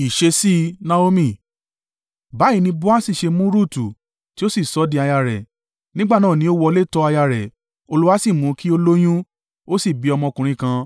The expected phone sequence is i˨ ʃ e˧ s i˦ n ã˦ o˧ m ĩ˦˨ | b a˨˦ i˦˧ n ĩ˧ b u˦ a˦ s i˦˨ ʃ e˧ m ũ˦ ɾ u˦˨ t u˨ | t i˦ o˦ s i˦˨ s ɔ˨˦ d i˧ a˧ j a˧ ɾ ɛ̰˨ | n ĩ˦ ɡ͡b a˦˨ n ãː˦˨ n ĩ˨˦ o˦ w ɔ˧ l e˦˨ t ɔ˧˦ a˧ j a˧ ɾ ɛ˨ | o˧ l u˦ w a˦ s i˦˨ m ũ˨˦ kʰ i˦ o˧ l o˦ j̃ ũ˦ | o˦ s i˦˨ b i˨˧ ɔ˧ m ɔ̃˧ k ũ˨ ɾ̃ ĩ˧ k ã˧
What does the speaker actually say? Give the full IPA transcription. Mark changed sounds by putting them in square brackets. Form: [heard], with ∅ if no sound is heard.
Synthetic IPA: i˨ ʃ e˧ s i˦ n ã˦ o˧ m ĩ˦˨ | b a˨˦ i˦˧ n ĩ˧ b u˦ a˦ s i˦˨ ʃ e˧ m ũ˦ ɾ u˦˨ t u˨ | t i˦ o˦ s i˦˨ s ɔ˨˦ d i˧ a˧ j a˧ ɾ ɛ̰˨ | n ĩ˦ ɡ͡b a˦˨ n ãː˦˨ n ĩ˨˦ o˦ w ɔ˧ l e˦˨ t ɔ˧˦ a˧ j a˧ ɾ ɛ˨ | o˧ l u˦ w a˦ s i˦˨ m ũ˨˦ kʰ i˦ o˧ l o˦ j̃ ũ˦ | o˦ s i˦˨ b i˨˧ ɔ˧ m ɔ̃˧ k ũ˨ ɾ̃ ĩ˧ k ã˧